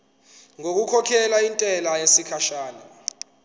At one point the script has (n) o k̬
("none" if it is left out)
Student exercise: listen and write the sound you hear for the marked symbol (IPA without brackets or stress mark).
ŋ